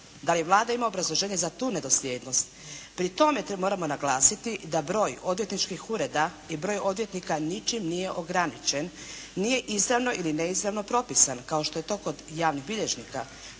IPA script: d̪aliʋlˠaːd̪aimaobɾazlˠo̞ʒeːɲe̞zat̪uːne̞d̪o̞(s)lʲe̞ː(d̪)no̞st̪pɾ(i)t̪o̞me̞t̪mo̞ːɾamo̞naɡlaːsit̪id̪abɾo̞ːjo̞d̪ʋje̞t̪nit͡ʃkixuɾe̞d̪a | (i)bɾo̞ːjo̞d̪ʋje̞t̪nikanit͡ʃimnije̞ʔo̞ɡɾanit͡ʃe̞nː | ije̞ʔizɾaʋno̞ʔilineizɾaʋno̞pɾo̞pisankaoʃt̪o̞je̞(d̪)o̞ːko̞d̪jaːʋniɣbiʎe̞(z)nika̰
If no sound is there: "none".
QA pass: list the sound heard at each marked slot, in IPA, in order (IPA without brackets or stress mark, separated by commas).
s, d̪, i, i, t̪, ʒ